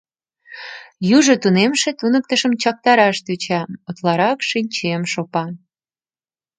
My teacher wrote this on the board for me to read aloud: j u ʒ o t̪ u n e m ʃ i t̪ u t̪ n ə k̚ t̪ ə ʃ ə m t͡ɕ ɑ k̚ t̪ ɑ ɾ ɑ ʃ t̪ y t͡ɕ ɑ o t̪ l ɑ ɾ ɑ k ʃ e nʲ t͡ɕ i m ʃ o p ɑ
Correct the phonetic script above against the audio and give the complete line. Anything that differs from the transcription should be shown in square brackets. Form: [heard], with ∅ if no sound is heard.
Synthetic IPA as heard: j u ʒ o t̪ u n e m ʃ [e] t̪ u [∅] n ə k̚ t̪ ə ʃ ə m t͡ɕ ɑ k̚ t̪ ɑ ɾ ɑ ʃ t̪ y t͡ɕ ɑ o t̪ l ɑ ɾ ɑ k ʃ [i] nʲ t͡ɕ [e] m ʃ o p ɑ